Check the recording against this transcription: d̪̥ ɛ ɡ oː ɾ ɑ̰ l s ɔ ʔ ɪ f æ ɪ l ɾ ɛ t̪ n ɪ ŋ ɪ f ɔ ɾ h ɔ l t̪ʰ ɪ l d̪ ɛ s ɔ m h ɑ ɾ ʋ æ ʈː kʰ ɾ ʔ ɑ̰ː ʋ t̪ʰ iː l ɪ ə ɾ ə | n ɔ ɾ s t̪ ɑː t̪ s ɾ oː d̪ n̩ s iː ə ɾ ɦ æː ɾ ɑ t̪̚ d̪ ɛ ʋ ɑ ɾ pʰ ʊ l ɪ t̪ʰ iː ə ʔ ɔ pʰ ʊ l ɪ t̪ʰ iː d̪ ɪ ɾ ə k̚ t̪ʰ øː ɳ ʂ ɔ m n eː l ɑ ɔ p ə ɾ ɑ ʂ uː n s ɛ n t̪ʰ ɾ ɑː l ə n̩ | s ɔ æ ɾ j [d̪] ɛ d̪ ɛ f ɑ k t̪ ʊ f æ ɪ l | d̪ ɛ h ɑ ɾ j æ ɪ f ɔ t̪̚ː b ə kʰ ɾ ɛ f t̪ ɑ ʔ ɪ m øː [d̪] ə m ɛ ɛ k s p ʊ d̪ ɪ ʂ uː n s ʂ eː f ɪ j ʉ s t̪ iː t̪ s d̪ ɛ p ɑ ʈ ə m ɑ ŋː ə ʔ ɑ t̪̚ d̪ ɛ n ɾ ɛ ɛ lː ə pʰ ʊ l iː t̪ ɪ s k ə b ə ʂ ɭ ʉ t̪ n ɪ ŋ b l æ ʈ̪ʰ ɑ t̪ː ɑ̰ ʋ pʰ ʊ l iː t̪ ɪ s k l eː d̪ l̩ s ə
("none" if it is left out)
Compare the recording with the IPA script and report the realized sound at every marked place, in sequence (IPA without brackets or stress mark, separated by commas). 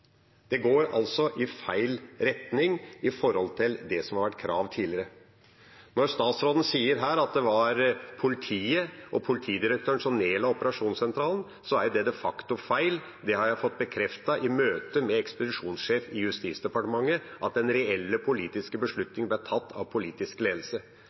d̪, t̪